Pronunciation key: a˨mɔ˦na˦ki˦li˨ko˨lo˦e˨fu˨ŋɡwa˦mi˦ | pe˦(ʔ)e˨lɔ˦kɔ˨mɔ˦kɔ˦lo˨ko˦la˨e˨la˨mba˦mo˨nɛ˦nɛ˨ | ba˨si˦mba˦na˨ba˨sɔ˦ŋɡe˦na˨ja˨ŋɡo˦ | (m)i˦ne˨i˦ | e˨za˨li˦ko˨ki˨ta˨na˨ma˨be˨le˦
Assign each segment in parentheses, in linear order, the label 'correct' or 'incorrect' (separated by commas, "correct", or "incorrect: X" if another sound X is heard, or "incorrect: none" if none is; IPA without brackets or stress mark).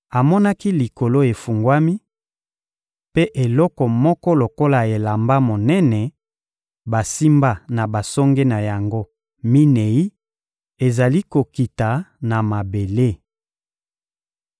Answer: correct, correct